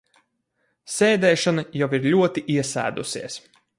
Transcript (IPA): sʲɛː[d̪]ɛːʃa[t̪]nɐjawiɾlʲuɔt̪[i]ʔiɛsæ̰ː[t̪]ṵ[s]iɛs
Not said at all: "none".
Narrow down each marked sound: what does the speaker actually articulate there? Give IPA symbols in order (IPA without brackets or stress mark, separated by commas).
d̪, none, i, d̪, s